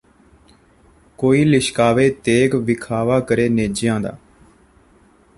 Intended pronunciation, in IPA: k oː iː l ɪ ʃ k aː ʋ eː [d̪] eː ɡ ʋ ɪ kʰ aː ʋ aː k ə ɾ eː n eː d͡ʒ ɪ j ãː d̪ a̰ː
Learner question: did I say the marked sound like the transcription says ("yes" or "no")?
no